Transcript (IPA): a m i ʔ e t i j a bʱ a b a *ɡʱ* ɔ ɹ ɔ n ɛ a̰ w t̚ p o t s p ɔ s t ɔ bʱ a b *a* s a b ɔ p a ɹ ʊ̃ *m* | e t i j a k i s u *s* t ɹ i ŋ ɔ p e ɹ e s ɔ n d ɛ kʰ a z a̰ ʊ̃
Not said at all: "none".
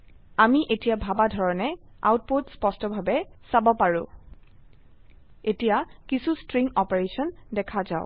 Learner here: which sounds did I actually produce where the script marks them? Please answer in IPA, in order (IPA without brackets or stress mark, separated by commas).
dʱ, ɛ, none, s